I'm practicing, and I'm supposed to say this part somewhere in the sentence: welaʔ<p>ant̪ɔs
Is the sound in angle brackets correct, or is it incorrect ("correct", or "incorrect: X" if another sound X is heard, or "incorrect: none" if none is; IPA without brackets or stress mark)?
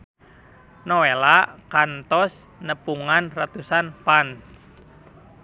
incorrect: k